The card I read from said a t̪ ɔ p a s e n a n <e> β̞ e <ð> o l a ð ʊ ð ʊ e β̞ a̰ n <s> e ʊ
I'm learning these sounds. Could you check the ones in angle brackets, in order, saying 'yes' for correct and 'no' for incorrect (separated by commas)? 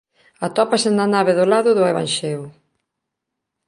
no, yes, no